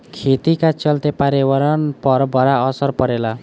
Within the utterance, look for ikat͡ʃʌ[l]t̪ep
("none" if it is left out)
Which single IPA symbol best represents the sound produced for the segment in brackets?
l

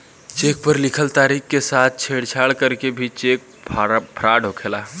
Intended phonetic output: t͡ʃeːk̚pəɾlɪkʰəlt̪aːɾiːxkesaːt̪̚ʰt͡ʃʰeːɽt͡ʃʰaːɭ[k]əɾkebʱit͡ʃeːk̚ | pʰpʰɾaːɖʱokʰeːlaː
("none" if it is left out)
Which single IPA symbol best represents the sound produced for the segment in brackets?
k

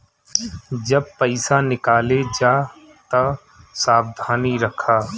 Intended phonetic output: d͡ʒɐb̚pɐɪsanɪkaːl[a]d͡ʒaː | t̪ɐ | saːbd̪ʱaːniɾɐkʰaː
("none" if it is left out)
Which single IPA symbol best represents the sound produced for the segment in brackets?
e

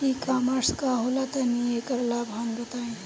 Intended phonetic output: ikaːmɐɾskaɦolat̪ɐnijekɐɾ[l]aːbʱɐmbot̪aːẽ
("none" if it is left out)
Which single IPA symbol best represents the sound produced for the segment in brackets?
l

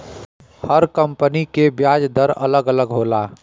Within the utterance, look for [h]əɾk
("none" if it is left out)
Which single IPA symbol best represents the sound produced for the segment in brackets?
h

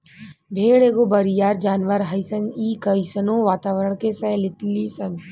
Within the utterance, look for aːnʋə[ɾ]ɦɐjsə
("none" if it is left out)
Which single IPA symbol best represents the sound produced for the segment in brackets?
ɾ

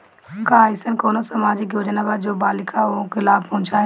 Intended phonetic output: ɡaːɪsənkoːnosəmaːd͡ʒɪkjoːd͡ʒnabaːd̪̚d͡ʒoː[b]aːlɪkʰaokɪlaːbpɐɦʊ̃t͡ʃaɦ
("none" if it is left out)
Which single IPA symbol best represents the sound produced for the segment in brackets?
b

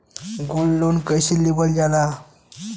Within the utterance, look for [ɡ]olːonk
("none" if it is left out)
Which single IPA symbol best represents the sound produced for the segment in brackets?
ɡ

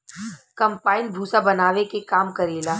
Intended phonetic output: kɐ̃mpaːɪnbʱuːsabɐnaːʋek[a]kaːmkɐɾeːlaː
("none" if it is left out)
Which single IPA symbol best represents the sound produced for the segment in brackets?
e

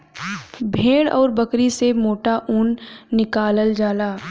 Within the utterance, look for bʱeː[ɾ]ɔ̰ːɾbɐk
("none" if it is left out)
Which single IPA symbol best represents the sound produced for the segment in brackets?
ɽ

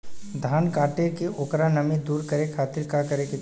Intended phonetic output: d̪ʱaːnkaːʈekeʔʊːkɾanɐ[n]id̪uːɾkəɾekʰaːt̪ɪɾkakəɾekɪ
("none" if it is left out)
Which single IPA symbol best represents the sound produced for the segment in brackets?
m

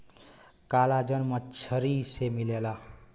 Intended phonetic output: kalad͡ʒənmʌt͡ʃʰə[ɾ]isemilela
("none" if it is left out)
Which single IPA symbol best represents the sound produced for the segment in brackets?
ɾ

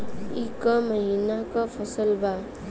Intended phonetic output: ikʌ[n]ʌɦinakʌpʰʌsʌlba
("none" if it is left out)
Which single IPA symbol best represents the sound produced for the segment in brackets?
m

